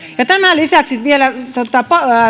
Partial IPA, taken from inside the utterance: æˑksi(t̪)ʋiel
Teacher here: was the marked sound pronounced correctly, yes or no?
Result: yes